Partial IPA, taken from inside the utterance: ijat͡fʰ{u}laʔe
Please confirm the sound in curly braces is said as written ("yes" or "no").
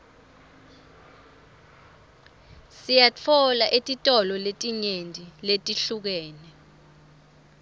no